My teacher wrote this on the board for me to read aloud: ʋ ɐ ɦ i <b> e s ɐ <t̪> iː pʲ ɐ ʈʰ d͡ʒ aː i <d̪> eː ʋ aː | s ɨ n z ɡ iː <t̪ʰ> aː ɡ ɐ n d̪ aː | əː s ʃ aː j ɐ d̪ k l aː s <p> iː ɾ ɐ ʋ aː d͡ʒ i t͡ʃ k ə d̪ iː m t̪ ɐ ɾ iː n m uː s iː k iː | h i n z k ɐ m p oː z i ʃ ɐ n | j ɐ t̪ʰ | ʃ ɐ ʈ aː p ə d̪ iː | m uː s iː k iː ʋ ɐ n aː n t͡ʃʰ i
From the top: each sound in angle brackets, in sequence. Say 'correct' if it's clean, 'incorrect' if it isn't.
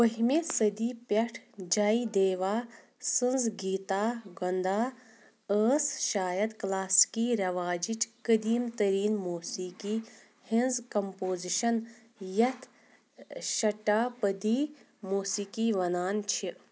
incorrect: m, incorrect: d̪, correct, incorrect: t̪, incorrect: k

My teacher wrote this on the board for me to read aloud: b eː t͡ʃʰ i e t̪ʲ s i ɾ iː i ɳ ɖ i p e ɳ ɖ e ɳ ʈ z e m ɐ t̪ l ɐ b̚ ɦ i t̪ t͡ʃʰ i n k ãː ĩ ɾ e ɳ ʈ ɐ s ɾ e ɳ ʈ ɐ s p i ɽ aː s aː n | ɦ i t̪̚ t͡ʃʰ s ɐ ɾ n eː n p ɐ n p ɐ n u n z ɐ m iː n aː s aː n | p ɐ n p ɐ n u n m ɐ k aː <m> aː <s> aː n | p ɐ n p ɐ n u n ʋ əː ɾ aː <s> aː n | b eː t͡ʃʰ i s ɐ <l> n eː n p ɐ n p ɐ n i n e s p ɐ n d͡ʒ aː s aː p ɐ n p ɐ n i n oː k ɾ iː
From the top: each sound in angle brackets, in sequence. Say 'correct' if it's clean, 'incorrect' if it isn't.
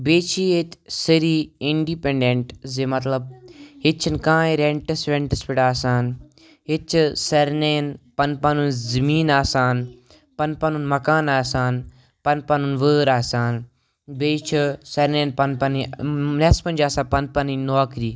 incorrect: n, correct, correct, incorrect: ɾ

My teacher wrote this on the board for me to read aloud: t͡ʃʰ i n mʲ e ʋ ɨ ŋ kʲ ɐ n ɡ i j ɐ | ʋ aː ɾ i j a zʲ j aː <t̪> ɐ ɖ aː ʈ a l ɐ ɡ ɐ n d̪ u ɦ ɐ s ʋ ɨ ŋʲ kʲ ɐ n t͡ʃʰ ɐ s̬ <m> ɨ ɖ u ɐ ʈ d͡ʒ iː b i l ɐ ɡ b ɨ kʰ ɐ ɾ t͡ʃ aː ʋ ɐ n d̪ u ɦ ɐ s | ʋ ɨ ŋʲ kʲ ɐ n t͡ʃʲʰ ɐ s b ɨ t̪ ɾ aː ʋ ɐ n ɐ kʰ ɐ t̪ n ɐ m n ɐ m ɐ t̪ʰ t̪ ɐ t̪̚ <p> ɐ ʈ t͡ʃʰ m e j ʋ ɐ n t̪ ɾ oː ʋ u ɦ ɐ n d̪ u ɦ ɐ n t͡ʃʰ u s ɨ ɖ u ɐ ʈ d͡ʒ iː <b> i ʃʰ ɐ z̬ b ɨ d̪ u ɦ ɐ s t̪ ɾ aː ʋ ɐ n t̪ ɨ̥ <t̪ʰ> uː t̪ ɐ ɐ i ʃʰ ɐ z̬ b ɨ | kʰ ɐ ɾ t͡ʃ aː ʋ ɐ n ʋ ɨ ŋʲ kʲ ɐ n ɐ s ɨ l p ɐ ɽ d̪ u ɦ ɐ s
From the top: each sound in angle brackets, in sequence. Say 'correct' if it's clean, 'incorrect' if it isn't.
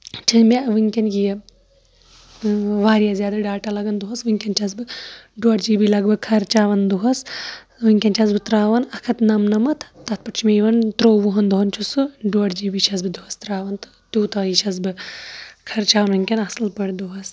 incorrect: d̪, incorrect: b, correct, correct, incorrect: t̪

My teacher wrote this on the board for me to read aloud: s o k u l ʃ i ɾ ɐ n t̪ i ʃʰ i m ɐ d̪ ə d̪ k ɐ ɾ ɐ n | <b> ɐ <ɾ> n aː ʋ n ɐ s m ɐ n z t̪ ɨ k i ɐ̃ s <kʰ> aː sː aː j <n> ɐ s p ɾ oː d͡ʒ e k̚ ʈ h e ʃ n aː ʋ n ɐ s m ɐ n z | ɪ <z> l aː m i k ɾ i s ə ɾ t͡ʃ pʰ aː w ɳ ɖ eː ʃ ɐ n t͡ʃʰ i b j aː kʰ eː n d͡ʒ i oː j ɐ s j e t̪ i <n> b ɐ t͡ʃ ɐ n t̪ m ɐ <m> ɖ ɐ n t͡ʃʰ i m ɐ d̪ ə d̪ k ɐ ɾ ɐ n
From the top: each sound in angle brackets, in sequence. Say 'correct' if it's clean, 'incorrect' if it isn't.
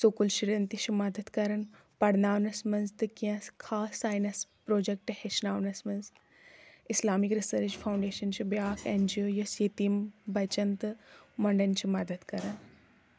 incorrect: p, incorrect: ɽ, correct, correct, incorrect: s, incorrect: m, incorrect: ɳ

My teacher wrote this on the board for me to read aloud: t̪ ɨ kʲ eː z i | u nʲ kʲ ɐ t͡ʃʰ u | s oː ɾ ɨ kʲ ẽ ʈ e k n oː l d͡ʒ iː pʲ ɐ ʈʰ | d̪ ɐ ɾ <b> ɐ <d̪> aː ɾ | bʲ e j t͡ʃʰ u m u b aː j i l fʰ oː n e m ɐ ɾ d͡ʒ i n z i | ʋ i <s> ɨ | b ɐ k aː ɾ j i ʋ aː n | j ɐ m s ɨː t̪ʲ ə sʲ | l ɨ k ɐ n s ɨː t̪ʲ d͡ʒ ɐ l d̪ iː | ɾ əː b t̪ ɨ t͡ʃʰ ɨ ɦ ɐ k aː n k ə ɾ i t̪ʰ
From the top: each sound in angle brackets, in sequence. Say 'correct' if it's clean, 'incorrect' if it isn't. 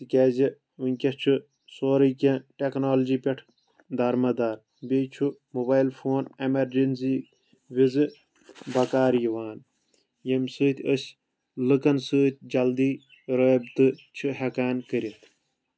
incorrect: m, correct, incorrect: z

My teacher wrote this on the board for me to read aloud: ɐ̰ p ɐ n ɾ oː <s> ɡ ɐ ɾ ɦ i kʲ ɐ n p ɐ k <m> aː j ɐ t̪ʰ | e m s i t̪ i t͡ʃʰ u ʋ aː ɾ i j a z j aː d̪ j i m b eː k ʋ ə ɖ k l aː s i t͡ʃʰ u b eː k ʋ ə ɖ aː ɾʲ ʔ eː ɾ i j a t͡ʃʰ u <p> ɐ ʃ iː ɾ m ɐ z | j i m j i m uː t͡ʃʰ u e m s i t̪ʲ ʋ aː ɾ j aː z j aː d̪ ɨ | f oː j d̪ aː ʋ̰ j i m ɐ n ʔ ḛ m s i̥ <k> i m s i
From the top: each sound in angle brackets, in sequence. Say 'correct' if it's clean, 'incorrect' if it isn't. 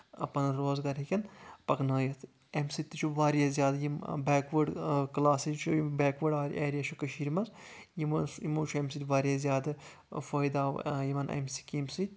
incorrect: z, incorrect: n, incorrect: k, correct

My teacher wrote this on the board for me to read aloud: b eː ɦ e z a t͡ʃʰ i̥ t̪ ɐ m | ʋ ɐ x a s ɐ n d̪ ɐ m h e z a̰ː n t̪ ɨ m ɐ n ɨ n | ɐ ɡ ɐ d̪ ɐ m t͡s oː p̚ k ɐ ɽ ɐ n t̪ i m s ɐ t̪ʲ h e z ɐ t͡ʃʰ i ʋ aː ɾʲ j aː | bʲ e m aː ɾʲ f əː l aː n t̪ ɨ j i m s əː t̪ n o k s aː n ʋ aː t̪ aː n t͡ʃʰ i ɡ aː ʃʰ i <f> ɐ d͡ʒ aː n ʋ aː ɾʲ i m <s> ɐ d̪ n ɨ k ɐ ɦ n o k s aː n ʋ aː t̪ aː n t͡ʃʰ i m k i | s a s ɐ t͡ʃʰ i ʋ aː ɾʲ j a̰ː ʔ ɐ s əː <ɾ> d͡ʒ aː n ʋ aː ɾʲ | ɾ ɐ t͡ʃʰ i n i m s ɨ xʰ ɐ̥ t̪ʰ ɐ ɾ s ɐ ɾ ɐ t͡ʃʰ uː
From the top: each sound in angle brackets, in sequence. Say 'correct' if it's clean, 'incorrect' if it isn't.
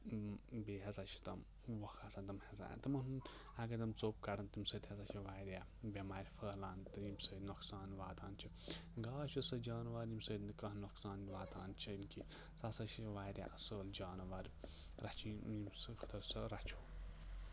incorrect: s, correct, incorrect: l

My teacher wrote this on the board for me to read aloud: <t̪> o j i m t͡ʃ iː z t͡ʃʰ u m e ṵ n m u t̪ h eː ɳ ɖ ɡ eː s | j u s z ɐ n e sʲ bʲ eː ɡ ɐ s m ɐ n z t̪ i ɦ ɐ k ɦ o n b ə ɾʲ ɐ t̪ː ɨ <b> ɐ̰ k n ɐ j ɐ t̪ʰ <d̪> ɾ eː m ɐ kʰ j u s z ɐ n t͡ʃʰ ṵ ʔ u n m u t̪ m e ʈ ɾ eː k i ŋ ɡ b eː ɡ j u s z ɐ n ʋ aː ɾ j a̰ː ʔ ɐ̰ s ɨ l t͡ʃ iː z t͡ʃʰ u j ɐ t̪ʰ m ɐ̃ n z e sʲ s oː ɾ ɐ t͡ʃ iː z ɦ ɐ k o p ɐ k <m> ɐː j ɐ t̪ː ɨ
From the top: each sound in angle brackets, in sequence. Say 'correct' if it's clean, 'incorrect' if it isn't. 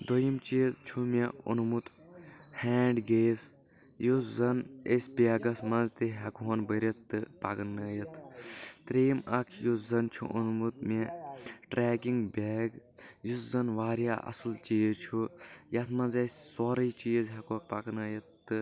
incorrect: d̪, incorrect: p, incorrect: t̪, incorrect: n

